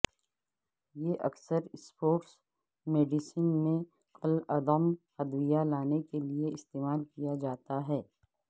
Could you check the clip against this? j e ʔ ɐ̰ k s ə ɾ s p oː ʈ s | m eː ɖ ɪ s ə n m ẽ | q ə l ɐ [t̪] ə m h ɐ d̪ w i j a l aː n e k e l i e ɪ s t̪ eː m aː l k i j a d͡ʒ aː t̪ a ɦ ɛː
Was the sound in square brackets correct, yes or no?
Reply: no